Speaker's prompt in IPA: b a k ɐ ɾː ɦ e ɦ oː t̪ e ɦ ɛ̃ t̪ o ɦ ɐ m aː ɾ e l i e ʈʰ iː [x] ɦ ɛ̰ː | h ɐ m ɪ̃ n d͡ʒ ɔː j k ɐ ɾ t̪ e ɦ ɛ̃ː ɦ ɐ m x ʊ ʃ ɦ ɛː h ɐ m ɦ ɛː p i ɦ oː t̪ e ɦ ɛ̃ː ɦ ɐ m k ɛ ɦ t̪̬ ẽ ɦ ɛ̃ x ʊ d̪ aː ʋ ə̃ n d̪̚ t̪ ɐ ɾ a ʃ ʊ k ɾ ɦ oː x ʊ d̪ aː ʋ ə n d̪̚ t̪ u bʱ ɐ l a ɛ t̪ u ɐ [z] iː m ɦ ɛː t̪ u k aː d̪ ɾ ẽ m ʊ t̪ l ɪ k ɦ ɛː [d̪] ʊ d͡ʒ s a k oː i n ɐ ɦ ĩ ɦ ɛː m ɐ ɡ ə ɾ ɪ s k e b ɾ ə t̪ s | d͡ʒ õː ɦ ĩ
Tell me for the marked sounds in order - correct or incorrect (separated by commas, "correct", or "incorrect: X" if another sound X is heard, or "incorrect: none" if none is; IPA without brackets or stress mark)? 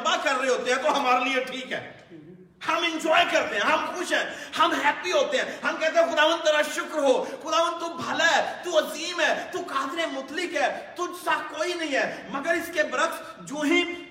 incorrect: k, correct, incorrect: t̪